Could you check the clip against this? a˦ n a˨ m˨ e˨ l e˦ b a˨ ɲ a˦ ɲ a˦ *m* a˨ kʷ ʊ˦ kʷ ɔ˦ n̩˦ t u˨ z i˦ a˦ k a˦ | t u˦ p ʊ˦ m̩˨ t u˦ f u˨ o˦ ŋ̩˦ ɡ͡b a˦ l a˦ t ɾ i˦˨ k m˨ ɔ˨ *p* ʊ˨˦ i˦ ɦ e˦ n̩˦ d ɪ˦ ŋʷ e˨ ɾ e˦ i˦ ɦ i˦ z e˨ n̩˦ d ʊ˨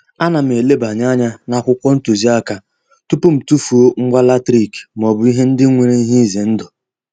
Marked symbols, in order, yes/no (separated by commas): no, no